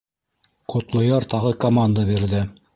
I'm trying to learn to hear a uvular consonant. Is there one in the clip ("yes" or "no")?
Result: yes